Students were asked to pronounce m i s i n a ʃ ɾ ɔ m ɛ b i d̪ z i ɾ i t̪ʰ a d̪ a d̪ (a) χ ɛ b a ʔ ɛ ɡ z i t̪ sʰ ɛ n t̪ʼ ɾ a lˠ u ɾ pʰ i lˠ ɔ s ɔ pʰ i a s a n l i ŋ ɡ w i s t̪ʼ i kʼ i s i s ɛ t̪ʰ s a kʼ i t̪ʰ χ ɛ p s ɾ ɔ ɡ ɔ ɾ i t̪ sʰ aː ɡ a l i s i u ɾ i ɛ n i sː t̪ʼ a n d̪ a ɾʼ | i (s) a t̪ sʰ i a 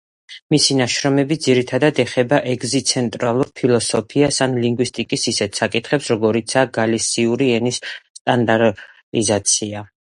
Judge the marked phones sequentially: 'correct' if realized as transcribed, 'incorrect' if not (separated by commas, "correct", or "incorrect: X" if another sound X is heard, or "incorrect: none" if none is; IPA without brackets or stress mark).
incorrect: ɛ, incorrect: z